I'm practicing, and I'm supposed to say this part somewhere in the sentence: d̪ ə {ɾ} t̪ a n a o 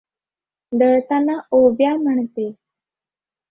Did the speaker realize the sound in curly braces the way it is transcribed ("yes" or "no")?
no